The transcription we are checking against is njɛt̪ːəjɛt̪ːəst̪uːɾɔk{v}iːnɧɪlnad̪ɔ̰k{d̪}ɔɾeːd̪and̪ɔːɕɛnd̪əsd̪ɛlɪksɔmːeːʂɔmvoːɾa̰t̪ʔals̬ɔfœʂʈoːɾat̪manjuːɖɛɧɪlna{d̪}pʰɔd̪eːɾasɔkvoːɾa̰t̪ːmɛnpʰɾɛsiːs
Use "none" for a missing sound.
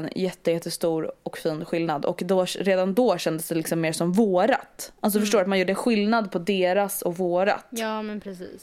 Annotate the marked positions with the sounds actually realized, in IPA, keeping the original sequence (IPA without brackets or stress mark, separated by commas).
f, d̪, d̪